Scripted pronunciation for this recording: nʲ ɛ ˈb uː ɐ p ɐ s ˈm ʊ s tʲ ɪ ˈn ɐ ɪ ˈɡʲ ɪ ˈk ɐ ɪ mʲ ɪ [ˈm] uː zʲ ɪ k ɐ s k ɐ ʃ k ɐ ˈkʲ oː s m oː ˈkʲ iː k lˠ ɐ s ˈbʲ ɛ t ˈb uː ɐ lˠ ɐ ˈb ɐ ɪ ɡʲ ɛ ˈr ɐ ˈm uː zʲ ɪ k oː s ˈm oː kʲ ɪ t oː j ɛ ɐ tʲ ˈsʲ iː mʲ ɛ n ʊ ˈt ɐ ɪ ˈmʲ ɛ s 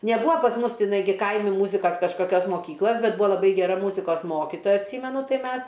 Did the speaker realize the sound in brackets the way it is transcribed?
yes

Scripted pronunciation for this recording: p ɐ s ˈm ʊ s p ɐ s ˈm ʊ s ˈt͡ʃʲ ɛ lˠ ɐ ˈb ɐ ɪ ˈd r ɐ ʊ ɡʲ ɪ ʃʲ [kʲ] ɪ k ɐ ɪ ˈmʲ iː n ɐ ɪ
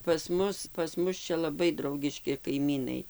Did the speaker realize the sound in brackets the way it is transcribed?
yes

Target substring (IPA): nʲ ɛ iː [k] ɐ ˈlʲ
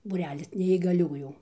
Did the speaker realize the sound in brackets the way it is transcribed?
no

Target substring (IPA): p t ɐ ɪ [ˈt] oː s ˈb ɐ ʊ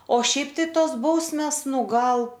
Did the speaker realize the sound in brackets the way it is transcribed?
yes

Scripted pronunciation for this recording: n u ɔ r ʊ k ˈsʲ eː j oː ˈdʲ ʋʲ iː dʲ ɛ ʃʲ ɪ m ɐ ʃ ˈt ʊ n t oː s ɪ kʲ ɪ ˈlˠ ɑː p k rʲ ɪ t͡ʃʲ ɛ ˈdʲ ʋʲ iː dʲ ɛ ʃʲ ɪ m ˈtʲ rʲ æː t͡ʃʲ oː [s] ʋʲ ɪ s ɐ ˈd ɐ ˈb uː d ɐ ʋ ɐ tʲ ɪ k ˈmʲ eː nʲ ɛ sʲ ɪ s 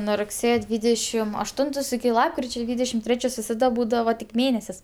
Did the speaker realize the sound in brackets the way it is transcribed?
yes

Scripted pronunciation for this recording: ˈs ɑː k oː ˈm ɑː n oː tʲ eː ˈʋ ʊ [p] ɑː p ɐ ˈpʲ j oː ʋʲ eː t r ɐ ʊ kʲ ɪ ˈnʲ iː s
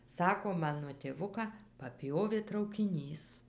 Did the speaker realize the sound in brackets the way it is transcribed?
no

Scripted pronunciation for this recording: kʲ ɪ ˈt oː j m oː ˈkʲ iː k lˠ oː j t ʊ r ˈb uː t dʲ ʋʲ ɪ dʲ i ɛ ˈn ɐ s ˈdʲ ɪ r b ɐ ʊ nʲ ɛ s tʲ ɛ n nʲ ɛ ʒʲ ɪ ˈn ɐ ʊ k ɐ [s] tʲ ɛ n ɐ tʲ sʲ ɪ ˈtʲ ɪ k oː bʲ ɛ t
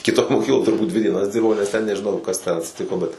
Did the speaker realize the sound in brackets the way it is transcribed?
yes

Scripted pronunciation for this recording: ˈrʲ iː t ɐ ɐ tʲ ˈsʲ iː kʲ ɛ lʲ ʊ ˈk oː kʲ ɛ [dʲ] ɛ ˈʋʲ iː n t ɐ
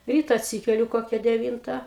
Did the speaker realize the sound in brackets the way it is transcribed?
yes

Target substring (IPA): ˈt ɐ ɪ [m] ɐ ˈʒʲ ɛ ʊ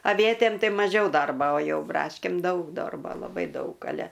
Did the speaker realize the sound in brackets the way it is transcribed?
yes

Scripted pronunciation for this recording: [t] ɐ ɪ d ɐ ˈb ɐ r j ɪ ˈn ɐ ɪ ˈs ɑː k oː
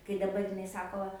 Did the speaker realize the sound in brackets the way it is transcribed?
no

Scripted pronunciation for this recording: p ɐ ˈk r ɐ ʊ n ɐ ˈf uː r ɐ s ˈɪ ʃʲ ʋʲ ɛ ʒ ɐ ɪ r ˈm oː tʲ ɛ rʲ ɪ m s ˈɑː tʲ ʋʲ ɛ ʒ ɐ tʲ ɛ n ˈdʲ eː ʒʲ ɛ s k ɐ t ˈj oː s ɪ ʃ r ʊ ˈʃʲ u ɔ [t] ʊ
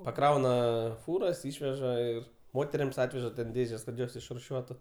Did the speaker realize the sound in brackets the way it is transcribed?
yes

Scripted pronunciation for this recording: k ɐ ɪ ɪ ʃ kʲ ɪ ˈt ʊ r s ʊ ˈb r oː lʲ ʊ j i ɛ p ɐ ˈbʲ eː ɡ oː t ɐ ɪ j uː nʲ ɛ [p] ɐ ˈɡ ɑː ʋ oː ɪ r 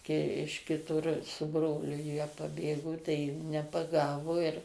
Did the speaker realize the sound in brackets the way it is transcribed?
yes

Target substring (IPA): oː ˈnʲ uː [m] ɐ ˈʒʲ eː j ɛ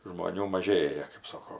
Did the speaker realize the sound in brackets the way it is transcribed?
yes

